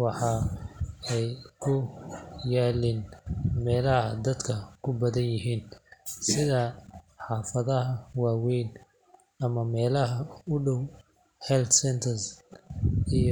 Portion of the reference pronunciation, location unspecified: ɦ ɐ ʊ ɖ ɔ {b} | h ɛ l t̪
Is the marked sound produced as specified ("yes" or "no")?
no